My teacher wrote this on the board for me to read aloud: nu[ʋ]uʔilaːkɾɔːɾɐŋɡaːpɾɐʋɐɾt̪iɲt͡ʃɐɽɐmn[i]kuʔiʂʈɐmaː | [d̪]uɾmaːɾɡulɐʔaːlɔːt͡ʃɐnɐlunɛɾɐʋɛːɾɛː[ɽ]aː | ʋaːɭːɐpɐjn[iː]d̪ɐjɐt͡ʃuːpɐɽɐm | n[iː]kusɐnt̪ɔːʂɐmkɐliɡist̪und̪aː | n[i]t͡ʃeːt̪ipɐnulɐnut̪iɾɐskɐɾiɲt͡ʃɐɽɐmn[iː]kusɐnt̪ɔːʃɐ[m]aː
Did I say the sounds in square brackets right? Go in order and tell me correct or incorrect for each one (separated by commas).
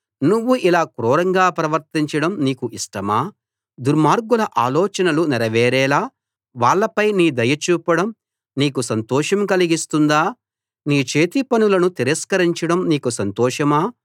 incorrect, incorrect, correct, incorrect, correct, correct, incorrect, correct, correct